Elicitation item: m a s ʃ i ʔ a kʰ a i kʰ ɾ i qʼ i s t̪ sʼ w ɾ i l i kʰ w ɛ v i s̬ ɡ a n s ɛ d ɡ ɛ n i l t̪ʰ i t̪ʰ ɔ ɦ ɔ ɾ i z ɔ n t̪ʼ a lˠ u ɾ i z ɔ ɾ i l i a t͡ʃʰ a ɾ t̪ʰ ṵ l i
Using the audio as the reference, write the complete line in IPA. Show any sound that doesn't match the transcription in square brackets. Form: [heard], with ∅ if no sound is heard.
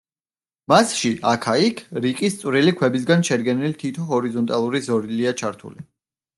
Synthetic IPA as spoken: m a s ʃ i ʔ a kʰ a i kʰ ɾ i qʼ i s t̪ sʼ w ɾ i l i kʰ w ɛ [b] i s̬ ɡ a n [ʃ] ɛ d ɡ ɛ n i l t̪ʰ i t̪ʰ ɔ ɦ ɔ ɾ i z ɔ n t̪ʼ a lˠ u ɾ i z ɔ ɾ i l i a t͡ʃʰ a ɾ t̪ʰ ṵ l i